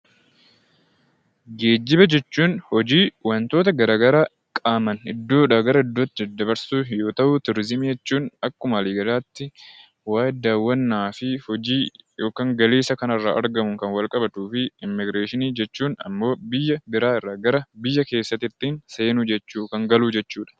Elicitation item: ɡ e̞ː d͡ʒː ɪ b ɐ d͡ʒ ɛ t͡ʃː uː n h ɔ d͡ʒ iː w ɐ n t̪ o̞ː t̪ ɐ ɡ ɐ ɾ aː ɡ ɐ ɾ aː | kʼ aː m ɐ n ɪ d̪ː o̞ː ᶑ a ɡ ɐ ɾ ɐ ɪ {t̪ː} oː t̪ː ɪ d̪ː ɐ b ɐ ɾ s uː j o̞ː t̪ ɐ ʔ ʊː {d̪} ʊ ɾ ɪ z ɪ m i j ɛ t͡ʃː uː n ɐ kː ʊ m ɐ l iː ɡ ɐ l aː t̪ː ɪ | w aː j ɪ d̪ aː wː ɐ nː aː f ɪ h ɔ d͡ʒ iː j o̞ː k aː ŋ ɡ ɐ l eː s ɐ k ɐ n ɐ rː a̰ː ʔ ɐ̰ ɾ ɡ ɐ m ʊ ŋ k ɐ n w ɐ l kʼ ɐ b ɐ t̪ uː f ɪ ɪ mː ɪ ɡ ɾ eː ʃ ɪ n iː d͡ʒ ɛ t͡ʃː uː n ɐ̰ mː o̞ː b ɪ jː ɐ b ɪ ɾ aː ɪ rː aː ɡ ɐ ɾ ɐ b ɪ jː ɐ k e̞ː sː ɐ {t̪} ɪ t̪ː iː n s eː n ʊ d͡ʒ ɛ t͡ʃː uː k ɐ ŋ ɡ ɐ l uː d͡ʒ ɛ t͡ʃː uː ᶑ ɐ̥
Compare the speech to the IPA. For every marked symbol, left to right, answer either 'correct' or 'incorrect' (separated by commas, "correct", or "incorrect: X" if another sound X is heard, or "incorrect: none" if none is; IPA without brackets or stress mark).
incorrect: d̪ː, incorrect: t̪, correct